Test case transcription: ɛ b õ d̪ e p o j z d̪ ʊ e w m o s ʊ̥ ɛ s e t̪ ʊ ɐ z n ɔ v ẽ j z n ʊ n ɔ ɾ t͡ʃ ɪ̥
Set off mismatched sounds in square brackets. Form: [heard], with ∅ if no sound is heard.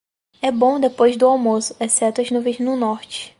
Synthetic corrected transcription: ɛ b õ d̪ e p o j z d̪ ʊ [a] w m o s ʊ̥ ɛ s [ɛ] t̪ ʊ ɐ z n [u] v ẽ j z n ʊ n ɔ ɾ t͡ʃ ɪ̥